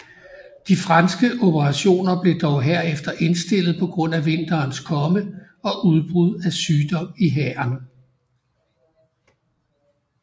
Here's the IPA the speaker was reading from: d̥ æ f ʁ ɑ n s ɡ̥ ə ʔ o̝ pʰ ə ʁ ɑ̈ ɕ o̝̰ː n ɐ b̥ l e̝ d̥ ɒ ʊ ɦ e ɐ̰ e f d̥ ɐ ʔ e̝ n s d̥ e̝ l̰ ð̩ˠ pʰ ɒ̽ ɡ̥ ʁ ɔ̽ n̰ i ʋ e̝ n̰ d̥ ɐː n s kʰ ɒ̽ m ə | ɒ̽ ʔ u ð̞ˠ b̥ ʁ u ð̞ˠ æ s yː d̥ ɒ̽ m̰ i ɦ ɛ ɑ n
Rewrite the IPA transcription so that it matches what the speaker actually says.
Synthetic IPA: d̥ i f ʁ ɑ n s ɡ̥ ə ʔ o̝ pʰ ə ʁ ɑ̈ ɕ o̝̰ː n ɐ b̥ l e̝ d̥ ɒ ʊ ɦ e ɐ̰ e f d̥ ɐ ʔ e̝ n s d̥ e̝ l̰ ð̩ˠ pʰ ɒ̽ ɡ̥ ʁ ɔ̽ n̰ æ ʋ e̝ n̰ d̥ ɐː n s kʰ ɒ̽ m ə | ɒ̽ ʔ u ð̞ˠ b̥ ʁ u ð̞ˠ æ s yː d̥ ɒ̽ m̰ i ɦ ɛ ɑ n